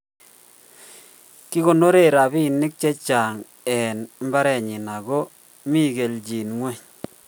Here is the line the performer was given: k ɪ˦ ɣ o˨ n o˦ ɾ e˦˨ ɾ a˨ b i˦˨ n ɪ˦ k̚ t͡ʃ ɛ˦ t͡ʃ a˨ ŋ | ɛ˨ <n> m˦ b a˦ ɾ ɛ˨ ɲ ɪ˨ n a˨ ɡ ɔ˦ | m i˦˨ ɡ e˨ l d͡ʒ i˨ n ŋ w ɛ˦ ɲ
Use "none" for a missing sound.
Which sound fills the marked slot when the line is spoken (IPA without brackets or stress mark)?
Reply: n